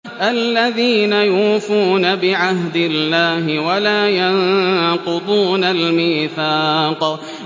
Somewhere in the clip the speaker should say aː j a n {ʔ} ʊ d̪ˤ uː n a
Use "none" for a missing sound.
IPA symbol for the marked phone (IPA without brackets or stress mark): q